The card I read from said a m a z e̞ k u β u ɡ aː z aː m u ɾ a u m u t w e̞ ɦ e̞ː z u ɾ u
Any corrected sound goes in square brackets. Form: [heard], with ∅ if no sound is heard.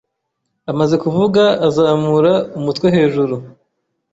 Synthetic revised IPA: a m a z e̞ k u [v] u ɡ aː z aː m u ɾ a u m u t w e̞ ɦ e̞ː [ʒ] u ɾ u